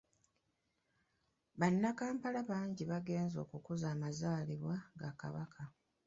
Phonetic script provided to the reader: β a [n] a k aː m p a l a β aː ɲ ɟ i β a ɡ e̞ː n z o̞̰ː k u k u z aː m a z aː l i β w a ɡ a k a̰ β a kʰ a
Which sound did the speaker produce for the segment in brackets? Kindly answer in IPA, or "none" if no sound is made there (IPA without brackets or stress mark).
nː